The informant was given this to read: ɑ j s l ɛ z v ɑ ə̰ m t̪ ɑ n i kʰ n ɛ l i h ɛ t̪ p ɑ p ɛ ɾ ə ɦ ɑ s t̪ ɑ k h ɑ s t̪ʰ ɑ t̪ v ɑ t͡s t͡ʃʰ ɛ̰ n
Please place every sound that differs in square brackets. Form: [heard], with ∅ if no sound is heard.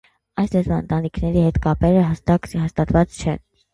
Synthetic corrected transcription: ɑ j s l ɛ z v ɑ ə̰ [n] t̪ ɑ n i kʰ n ɛ [ɾ] i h ɛ t̪ [k] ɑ p ɛ ɾ ə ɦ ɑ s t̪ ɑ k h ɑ s [t̪] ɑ t̪ v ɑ t͡s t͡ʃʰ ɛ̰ n